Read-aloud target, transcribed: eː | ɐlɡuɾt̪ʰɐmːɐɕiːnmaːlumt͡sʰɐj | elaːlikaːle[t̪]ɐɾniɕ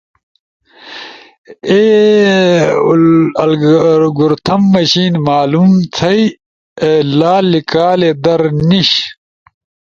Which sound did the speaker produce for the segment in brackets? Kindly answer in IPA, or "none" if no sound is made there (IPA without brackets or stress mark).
d̪